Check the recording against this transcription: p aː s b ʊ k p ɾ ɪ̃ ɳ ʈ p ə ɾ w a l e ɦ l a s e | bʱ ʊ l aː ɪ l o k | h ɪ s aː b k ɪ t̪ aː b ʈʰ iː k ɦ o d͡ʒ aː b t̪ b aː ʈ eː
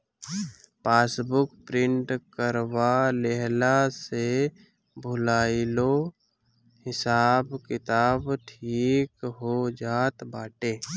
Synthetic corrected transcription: p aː s b ʊ k p ɾ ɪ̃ ɳ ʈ k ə ɾ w a l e ɦ l a s e | bʱ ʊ l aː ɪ l o | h ɪ s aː b k ɪ t̪ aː b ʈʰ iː k ɦ o d͡ʒ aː t̪ b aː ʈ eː